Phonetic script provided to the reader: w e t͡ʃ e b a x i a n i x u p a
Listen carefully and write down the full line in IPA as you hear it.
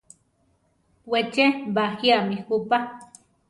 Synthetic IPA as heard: w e t͡ʃ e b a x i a m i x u p a